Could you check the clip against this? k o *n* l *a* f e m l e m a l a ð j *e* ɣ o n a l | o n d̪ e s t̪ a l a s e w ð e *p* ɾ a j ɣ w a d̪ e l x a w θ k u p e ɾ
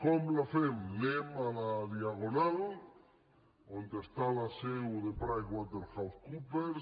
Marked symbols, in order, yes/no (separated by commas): no, yes, no, yes